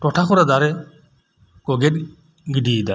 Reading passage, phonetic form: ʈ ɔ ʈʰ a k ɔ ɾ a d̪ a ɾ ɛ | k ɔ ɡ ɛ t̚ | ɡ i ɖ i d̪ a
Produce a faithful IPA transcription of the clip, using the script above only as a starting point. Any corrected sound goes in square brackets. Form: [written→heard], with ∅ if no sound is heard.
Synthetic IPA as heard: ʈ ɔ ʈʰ a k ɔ ɾ a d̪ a ɾ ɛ | k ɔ ɡ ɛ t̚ | ɡ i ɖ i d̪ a